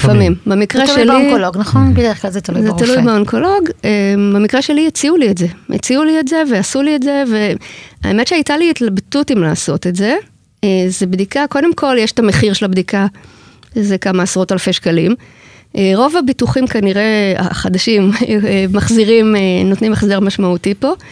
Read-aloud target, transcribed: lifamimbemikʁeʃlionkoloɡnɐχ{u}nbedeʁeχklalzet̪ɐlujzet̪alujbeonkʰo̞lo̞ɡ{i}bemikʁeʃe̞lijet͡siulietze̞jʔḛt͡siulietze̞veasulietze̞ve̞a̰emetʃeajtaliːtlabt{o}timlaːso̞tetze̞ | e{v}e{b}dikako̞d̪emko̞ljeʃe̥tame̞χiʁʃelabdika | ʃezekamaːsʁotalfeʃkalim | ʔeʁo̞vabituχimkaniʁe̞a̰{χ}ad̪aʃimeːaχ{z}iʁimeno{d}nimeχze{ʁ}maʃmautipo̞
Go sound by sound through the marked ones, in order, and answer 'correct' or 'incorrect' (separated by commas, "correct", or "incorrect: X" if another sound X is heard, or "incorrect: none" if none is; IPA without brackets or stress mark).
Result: incorrect: o, incorrect: e, incorrect: u, incorrect: z, correct, correct, correct, incorrect: t, correct